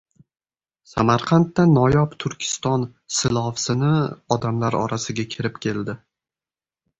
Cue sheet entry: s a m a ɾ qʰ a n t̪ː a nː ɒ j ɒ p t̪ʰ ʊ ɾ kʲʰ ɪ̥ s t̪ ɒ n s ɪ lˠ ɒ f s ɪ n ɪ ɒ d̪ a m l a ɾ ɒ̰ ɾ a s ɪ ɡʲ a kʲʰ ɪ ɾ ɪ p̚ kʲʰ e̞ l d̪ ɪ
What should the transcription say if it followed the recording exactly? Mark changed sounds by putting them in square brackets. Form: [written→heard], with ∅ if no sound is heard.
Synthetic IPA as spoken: s a m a ɾ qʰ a n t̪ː a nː ɒ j ɒ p t̪ʰ ʊ ɾ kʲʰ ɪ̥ s t̪ ɒ n s ɪ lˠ ɒ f s ɪ n ɪ ɒ d̪ a m l a ɾ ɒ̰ ɾ a s ɪ ɡʲ a kʲʰ ɪ ɾ ɪ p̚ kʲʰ e̞ l d̪ ɪ